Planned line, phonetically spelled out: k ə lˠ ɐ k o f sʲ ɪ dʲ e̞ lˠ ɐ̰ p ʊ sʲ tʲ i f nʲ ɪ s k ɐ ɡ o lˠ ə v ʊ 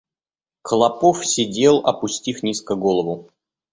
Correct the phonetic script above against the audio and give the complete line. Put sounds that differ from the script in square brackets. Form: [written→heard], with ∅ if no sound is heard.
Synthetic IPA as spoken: k ə lˠ ɐ [k→p] o f sʲ ɪ dʲ e̞ lˠ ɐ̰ p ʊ sʲ tʲ i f nʲ [ɪ→i] s k [ɐ→ə] ɡ o lˠ ə v ʊ